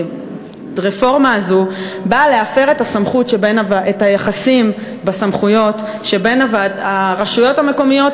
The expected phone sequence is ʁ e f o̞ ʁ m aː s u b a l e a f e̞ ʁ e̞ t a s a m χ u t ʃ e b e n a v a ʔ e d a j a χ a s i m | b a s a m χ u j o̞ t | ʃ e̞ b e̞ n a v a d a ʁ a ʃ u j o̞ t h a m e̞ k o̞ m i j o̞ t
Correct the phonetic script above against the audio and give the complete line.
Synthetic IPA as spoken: ʁ e f o̞ ʁ m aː z u b a l e a f e̞ ʁ e̞ t a s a m χ u t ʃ e b e n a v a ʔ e t a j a χ a s i m | b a s a m χ u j o̞ t | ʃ e̞ b e̞ n a v a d a ʁ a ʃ u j o̞ t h a m e̞ k o̞ m i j o̞ t